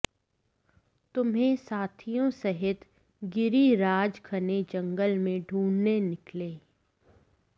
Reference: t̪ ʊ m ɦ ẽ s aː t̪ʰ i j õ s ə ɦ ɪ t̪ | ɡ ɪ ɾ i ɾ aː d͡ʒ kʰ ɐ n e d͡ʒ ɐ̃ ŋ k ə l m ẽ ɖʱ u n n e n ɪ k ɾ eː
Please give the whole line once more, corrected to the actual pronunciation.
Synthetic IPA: t̪ ʊ m ɦ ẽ s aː t̪ʰ i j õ s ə ɦ ɪ t̪ | ɡ ɪ ɾ i ɾ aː d͡ʒ kʰ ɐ n e d͡ʒ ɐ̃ ŋ ɡ ə l m ẽ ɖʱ uː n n e n ɪ k l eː

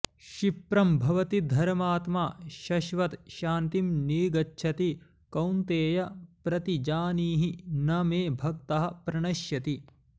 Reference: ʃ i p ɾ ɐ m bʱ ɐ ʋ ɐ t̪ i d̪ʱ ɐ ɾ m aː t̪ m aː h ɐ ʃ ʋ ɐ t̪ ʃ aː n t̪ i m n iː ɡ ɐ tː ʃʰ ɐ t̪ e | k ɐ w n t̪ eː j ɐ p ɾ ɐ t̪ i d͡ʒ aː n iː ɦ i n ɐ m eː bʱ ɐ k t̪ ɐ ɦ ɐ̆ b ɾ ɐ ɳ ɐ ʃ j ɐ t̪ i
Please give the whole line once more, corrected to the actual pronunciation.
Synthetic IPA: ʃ i p ɾ ɐ m bʱ ɐ ʋ ɐ t̪ i d̪ʱ ɐ ɾ m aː t̪ m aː ʃ ɐ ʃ ʋ ɐ t̪ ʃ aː n t̪ i m n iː ɡ ɐ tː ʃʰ ɐ t̪ i | k ɐ w n t̪ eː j ɐ p ɾ ɐ t̪ i d͡ʒ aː n iː ɦ i n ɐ m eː bʱ ɐ k t̪ ɐ ɦ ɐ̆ p ɾ ɐ ɳ ɐ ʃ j ɐ t̪ i

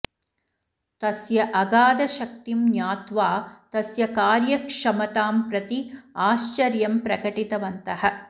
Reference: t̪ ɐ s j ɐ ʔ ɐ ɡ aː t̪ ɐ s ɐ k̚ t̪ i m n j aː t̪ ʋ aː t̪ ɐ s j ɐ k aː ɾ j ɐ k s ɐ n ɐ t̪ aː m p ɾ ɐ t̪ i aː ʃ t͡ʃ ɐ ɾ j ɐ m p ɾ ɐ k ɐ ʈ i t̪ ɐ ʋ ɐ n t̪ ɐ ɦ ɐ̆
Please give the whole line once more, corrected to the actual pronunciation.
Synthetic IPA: t̪ ɐ s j ɐ ʔ ɐ ɡ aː d̪ ɐ ʃ ɐ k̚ t̪ i m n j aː t̪ ʋ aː t̪ ɐ s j ɐ k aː ɾ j ɐ k ʂ ɐ m ɐ t̪ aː m p ɾ ɐ t̪ i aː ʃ t͡ʃ ɐ ɾ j ɐ m p ɾ ɐ k ɐ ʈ i t̪ ɐ ʋ ɐ n t̪ ɐ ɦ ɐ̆

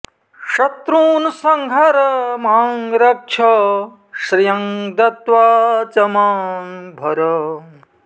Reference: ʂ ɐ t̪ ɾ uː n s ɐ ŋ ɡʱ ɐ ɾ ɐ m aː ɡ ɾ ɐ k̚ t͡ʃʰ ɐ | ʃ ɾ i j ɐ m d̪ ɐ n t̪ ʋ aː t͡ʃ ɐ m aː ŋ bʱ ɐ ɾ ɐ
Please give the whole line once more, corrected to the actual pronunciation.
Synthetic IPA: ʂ ɐ t̪ ɾ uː n s ɐ ŋ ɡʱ ɐ ɾ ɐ m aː ŋ ɾ ɐ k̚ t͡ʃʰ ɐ | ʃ ɾ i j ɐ ŋ d̪ ɐ t̪ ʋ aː t͡ʃ ɐ m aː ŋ bʱ ɐ ɾ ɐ

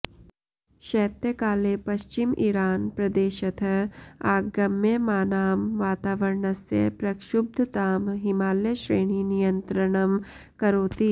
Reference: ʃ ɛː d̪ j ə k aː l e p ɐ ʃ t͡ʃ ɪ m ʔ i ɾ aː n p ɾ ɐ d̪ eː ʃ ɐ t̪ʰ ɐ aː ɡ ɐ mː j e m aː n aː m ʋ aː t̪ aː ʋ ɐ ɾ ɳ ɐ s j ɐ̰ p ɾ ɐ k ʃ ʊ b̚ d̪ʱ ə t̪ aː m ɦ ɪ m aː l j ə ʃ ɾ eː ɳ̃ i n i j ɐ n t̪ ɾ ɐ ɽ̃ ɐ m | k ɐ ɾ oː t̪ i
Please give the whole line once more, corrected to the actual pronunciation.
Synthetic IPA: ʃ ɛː t̪ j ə k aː l e p ɐ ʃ t͡ʃ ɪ m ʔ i ɾ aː n p ɾ ɐ d̪ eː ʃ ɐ t̪ʰ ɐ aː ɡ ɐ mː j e m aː n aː m ʋ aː t̪ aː ʋ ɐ ɾ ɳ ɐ s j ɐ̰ p ɾ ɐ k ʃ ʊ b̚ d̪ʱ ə t̪ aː m ɦ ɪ m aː l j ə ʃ ɾ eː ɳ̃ i n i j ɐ n t̪ ɾ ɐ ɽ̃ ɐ m | k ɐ ɾ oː t̪ i

